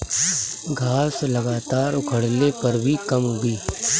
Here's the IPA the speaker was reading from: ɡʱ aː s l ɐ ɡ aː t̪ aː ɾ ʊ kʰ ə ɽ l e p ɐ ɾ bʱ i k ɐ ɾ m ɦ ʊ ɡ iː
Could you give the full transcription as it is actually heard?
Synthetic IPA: ɡʱ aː s l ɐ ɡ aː t̪ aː ɾ ʊ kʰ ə ɽ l e p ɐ ɾ bʱ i k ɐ m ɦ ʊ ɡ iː

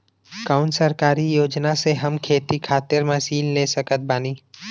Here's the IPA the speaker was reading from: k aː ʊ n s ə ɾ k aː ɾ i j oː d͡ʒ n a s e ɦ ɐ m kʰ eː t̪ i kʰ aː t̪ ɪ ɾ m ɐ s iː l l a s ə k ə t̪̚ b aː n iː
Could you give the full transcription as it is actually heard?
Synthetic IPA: k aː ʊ n s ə ɾ k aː ɾ i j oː d͡ʒ n a s e ɦ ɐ m kʰ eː t̪ i kʰ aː t̪ ɪ ɾ m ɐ s iː l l e s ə k ə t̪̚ b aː n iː

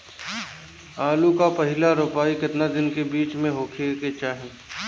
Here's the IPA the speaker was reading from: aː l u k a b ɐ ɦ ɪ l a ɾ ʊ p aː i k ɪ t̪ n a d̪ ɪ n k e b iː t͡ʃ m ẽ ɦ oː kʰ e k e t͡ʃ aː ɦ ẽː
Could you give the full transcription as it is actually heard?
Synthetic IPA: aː l u k a p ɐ ɦ ɪ l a ɾ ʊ p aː i k ɪ t̪ n a d̪ ɪ n k e b iː t͡ʃ m ẽ ɦ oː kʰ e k e t͡ʃ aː ɦ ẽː

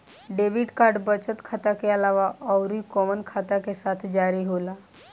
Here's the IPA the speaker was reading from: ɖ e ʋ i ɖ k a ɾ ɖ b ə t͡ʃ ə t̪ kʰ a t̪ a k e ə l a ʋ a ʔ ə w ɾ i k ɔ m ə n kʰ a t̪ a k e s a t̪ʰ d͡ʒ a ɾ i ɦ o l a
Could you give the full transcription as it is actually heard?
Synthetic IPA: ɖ e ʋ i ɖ k a ɾ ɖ b ə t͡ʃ ə t̪ kʰ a t̪ a k e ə l a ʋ a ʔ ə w ɾ i k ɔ m ə n kʰ a t̪ a k e s a t̪ʰ d͡ʒ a ɾ i ɦ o l a

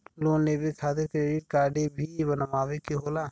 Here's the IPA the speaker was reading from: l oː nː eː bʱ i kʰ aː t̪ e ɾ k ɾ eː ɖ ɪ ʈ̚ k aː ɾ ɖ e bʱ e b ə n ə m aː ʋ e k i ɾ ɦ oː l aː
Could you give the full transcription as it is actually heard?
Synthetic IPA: l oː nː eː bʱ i kʰ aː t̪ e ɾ k ɾ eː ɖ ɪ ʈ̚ k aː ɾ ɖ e bʱ i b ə n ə m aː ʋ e k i ɦ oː l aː

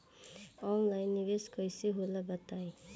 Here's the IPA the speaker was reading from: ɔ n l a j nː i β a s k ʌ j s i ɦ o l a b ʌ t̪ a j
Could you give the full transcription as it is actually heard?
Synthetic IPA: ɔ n l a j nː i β e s k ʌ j s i ɦ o l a b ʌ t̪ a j

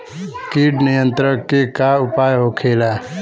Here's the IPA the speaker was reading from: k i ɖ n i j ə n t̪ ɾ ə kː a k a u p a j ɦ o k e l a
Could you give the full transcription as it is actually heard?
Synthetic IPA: k i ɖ n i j ə n t̪ ɾ ə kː e k a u p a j ɦ o kʰ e l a

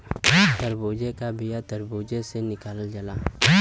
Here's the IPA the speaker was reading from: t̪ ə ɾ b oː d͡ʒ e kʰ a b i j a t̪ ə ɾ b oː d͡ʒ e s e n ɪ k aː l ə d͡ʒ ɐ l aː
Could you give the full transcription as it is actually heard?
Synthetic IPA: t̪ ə ɾ b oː d͡ʒ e k a b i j a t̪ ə ɾ b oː d͡ʒ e s e n ɪ k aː l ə d͡ʒ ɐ l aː

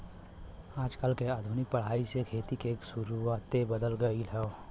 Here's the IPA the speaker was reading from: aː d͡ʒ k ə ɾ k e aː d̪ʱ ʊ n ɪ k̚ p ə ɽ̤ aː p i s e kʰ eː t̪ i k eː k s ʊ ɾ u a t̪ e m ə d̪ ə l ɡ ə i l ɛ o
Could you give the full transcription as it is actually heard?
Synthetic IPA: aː d͡ʒ k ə l k e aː d̪ʱ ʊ n ɪ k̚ p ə ɽ̤ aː i s e kʰ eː t̪ i k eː k s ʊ ɾ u a t̪ e b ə d̪ ə l ɡ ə i l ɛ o

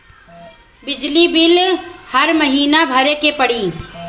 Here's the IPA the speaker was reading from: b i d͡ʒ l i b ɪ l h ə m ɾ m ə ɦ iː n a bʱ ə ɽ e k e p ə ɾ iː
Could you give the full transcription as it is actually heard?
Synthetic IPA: b ɪ d͡ʒ l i b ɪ l h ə ɾ m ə ɦ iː n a bʱ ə ɾ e k e p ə ɽ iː

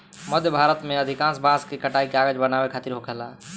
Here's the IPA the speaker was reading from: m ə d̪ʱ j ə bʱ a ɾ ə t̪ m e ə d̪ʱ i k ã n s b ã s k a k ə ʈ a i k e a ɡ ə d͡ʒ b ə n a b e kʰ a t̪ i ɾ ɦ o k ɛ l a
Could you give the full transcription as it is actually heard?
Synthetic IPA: m ə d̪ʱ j ə bʱ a ɾ ə t̪ m e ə d̪ʱ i k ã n s b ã s k e k ə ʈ a i k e a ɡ ə d͡ʒ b ə n a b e kʰ a t̪ i ɾ ɦ o k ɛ l a

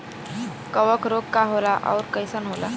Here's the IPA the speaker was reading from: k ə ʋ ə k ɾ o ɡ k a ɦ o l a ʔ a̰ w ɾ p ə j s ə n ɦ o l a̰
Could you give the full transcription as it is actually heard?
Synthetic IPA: k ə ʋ ə k ɾ o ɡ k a ɦ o l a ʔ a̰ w ɾ k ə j s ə n ɦ o l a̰

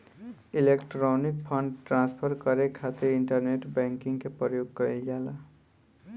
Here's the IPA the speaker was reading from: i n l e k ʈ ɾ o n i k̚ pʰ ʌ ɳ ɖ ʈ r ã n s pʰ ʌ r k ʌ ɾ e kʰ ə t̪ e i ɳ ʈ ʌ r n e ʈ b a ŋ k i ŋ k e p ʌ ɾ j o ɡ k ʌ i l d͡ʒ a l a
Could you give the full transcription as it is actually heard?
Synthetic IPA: i l e k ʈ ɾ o n i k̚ pʰ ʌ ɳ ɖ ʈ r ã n s pʰ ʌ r k ʌ ɾ e kʰ a t̪ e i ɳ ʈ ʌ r n e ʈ b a ŋ k i ŋ k e p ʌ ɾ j o ɡ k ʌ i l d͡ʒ a l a

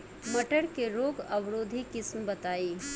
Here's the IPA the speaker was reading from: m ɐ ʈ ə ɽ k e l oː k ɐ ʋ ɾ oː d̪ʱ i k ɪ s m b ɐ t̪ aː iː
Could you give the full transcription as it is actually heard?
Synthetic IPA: m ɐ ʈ ə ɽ k e ɾ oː ɡ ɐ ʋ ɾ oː d̪ʱ i k ɪ s m b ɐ t̪ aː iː

